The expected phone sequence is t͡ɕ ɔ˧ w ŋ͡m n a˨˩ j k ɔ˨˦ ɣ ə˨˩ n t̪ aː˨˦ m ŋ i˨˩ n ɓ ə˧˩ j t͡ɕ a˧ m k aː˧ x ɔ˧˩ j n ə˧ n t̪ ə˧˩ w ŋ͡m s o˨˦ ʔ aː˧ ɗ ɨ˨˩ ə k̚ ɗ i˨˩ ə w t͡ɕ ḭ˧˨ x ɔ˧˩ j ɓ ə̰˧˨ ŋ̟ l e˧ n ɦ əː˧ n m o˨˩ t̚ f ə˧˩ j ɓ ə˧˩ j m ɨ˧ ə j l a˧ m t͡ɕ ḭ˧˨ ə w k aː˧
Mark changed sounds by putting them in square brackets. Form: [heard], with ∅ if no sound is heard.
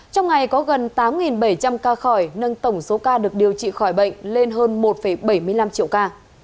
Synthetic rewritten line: t͡ɕ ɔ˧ w ŋ͡m [ŋ] a˨˩ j k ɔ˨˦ ɣ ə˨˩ n t̪ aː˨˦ m ŋ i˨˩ n ɓ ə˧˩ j t͡ɕ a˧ m k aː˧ x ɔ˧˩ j n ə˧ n t̪ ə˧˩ w ŋ͡m s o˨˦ [k] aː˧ ɗ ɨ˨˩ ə k̚ ɗ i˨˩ ə w t͡ɕ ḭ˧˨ x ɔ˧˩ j ɓ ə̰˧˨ ŋ̟ l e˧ n ɦ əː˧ n m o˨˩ t̚ f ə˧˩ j ɓ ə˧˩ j m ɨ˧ ə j l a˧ m t͡ɕ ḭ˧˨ ə w k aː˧